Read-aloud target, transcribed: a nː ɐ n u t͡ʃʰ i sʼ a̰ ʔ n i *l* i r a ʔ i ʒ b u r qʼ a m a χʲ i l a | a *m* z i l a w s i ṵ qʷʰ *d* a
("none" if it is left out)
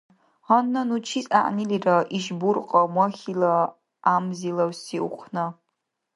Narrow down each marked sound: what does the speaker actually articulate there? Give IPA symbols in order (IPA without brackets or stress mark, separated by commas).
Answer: l, m, n